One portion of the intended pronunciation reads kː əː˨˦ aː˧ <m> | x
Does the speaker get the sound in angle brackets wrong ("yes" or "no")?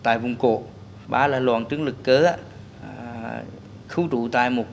yes